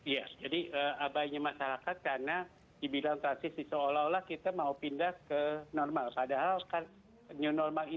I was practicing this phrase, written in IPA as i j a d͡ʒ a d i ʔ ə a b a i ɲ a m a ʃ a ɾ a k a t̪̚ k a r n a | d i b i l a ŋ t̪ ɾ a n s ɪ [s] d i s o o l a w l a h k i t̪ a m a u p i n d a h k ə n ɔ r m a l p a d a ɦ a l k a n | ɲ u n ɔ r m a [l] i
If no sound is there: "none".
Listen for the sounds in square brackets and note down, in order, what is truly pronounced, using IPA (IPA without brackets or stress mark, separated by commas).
s, l